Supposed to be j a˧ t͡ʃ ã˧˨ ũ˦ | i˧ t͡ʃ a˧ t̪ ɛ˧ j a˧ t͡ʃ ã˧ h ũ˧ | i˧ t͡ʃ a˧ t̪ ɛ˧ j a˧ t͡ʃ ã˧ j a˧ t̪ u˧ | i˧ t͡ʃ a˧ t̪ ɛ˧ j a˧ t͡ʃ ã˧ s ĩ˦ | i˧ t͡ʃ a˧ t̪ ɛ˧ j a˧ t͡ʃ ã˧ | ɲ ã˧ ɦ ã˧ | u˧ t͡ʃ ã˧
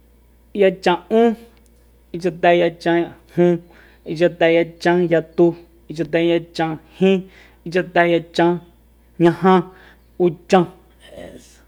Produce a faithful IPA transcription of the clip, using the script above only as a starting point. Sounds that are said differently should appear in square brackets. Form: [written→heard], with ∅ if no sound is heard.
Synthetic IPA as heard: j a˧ t͡ʃ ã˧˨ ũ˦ | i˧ t͡ʃ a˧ t̪ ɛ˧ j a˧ t͡ʃ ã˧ h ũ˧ | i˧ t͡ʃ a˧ t̪ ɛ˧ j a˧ t͡ʃ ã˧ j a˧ t̪ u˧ | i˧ t͡ʃ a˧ t̪ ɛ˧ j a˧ t͡ʃ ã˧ [s→h] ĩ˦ | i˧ t͡ʃ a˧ t̪ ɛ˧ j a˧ t͡ʃ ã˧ | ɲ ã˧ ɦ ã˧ | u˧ t͡ʃ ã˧